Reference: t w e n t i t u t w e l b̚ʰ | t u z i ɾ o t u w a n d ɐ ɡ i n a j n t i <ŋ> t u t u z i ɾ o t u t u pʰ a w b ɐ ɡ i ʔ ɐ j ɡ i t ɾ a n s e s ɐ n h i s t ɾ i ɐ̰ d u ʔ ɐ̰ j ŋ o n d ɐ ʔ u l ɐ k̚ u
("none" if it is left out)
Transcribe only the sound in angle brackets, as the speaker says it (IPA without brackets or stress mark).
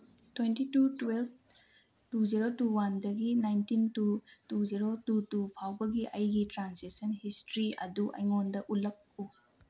n